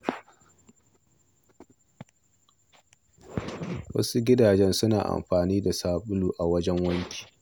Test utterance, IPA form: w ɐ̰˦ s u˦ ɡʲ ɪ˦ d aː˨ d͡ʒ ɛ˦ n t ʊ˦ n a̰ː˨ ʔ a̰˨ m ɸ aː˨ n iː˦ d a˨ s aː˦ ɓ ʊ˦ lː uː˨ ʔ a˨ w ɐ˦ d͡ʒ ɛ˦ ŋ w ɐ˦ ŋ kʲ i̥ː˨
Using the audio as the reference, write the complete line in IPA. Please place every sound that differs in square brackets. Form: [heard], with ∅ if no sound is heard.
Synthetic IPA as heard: w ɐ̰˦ s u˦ ɡʲ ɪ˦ d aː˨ d͡ʒ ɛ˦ n [s] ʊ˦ n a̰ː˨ ʔ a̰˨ m ɸ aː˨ n iː˦ d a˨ s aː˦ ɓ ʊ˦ [l] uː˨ ʔ a˨ w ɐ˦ d͡ʒ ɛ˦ ŋ w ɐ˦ ŋ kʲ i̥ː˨